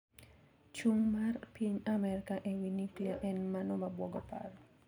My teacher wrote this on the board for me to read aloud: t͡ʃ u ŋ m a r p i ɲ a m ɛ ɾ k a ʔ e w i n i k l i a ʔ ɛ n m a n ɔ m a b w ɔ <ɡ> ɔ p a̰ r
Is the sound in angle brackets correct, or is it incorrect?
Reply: correct